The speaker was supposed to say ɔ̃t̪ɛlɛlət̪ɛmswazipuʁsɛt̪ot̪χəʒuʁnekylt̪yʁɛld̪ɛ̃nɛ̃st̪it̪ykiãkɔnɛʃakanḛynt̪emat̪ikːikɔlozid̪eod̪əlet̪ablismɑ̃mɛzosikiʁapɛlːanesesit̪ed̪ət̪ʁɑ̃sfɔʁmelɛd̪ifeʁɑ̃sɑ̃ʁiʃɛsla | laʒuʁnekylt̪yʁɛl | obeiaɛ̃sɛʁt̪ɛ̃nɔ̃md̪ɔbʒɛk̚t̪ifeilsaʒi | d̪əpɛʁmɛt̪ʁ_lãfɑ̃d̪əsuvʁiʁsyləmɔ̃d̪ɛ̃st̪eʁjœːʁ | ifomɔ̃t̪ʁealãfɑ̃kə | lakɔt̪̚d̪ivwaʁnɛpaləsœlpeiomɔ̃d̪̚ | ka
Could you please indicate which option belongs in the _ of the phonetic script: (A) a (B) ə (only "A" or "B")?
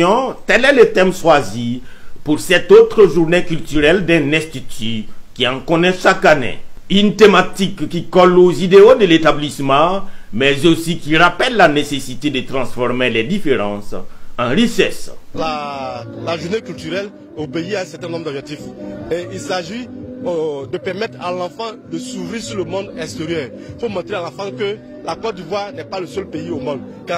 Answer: A